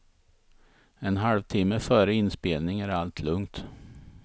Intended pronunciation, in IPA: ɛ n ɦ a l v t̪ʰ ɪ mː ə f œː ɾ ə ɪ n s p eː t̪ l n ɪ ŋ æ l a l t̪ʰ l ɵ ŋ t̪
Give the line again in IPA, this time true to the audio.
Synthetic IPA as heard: ɛ n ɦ a l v t̪ʰ ɪ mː ə f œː ɾ ə ɪ n s p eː l n ɪ ŋ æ ɾ a l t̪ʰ l ɵ ŋ t̪